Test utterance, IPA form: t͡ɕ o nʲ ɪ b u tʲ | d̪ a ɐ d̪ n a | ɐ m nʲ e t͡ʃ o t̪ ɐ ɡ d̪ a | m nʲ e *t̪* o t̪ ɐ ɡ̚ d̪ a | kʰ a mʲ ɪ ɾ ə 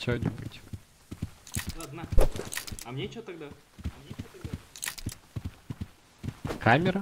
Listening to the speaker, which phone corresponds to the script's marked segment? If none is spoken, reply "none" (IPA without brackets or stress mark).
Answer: none